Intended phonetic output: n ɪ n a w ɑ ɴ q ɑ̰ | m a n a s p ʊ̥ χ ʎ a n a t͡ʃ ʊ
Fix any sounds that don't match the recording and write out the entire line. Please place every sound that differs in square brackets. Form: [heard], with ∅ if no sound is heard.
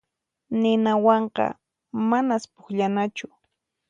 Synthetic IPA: n ɪ n a w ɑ ɴ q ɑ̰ | m a n a s p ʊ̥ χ ʎ a n a t͡ʃ ʊ